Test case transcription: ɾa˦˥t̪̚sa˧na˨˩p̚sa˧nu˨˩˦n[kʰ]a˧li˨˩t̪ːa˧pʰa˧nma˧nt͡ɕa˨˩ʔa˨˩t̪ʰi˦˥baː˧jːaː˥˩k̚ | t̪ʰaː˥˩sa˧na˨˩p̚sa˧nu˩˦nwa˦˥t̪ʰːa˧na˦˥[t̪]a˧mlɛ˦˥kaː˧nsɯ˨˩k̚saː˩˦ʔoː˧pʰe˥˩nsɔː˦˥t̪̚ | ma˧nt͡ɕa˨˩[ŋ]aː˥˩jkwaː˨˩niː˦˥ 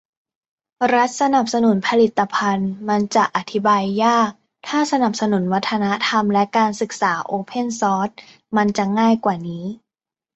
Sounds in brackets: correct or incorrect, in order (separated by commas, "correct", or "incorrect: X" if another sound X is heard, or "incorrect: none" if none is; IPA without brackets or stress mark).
incorrect: pʰ, incorrect: t̪ʰ, correct